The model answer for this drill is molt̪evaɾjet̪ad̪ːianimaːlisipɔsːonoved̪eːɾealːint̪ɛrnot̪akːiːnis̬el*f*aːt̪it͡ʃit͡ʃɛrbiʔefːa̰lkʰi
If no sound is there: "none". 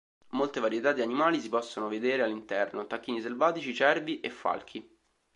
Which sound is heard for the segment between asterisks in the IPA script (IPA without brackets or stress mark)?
v